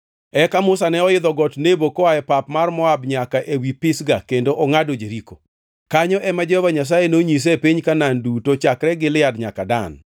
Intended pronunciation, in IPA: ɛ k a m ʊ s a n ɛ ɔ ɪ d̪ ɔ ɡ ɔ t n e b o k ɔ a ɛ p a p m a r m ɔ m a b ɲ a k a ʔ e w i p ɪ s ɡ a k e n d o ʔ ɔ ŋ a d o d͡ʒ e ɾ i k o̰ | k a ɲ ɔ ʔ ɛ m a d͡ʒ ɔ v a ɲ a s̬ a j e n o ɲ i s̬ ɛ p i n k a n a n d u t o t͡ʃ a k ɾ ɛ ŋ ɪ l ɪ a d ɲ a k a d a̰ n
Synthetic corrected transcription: ɛ k a m ʊ s a n ɛ ɔ ɪ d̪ ɔ ɡ ɔ t n e b o k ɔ a ɛ p a p m a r m ɔ a b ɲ a k a ʔ e w i p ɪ s ɡ a k e n d o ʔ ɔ ŋ a d o d͡ʒ e ɾ i k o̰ | k a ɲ ɔ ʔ ɛ m a d͡ʒ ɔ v a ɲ a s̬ a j e n o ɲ i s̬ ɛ p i ɲ k a n a n d u t o t͡ʃ a k ɾ ɛ ɡ ɪ l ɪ a d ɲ a k a d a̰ n